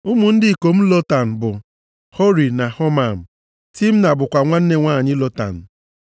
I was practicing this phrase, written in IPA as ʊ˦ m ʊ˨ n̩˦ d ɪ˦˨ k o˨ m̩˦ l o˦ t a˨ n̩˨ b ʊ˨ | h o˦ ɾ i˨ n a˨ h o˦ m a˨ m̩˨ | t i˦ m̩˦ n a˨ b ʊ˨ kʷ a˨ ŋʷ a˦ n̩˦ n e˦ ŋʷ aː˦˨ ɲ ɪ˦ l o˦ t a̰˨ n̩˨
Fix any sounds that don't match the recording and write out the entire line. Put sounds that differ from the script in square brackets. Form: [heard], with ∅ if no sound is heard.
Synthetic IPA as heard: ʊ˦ m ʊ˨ n̩˦ d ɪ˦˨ k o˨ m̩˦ l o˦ t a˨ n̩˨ b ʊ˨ | h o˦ ɾ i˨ n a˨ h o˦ m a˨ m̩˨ | t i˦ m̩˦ n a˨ b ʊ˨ kʷ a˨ ŋʷ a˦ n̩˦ n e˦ ŋʷ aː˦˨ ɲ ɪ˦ l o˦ t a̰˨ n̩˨